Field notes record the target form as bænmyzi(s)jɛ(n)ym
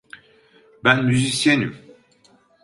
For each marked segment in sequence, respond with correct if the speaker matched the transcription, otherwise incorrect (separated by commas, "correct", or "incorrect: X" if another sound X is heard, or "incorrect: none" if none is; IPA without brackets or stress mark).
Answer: correct, correct